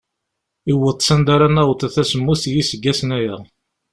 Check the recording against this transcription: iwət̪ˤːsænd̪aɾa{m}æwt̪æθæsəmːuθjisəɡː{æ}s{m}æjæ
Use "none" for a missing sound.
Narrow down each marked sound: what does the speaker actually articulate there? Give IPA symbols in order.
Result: n, æ, n

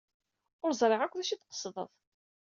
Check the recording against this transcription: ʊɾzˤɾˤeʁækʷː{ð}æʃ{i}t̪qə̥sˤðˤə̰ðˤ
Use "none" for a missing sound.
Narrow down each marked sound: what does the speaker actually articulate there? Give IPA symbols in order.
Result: ð, i

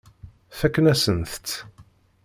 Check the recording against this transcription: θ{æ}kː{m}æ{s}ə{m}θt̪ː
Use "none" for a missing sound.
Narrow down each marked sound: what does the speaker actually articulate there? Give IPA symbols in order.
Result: æ, n, s, n

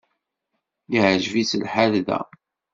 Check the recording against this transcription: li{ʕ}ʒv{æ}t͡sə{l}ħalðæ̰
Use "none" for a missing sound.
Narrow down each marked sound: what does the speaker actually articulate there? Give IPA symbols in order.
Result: ʕ, i, l

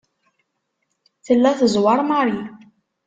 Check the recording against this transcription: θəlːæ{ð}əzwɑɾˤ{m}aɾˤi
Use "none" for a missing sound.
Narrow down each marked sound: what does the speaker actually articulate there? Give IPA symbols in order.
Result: θ, m

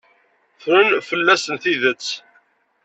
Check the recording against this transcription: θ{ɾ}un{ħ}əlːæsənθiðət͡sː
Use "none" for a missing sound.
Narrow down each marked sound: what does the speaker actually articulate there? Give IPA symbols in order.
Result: ɾ, f

